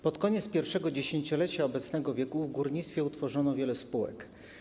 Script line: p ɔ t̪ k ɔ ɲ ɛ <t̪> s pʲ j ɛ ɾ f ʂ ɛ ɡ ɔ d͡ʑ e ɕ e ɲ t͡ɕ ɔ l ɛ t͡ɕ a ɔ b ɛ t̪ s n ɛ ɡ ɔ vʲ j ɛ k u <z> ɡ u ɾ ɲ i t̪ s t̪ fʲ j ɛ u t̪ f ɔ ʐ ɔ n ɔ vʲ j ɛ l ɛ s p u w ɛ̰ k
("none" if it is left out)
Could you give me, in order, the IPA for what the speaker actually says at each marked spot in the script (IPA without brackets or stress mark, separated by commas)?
t̪, v